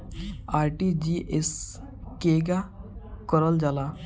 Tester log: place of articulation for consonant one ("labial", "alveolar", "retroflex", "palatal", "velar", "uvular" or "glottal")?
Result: alveolar